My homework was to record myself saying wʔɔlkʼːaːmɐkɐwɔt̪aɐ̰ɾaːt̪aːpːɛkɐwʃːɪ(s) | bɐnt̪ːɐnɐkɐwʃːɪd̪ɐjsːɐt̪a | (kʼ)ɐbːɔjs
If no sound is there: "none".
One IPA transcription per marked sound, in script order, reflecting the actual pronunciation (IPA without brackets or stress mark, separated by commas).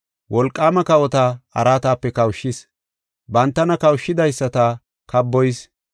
s, k